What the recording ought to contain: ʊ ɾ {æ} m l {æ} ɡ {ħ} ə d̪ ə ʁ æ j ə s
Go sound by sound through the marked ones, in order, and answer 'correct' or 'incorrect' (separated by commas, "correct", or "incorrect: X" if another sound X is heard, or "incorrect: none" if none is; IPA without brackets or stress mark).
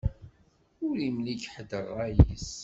incorrect: i, incorrect: i, correct